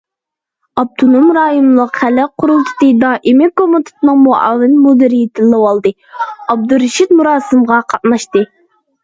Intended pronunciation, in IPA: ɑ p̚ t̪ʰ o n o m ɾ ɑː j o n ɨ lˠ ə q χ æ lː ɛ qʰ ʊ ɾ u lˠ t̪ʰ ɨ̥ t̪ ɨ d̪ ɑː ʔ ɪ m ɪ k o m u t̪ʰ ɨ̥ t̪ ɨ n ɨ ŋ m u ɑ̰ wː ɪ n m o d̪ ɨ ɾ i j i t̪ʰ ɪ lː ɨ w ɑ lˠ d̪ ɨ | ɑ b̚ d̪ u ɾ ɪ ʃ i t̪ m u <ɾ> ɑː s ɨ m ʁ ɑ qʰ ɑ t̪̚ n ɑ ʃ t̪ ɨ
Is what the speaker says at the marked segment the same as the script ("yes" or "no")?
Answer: yes